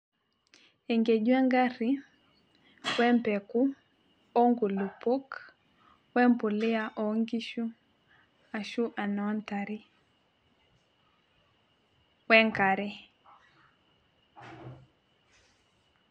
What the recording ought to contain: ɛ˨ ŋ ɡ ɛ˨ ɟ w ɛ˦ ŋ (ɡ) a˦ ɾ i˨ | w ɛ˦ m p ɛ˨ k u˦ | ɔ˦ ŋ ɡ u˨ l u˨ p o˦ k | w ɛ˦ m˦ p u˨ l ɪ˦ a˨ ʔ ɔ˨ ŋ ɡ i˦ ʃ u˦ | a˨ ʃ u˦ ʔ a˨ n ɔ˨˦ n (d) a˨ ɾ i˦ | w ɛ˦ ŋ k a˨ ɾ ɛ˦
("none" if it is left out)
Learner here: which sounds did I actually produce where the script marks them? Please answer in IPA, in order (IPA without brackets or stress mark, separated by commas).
ɡ, t